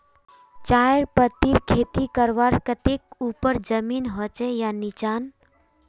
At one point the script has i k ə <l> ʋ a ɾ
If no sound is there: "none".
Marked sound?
ɾ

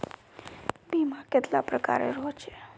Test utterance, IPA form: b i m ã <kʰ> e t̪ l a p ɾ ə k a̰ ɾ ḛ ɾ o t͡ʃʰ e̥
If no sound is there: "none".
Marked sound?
k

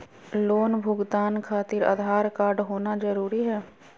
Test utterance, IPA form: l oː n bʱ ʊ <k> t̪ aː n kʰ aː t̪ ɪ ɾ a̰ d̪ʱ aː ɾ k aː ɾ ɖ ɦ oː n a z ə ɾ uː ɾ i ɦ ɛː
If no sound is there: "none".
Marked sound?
ɡ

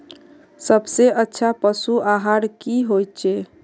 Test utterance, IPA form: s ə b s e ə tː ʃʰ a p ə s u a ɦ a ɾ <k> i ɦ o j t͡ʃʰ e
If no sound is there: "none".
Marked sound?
k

